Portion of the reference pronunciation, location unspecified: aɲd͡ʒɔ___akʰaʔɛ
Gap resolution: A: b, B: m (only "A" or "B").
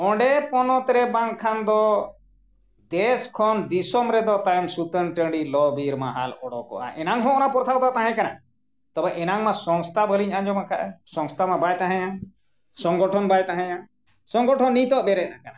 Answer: B